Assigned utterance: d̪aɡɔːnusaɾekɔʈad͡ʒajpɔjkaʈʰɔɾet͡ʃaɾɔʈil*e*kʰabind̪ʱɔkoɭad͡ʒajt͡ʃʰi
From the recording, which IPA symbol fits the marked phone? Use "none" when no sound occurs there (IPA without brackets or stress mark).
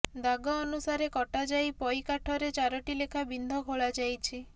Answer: e